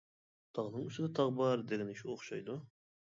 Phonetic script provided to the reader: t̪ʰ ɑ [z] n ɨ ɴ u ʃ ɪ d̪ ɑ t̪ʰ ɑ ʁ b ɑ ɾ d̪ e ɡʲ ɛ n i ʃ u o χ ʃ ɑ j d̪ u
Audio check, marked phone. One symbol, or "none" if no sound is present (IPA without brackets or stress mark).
ʁ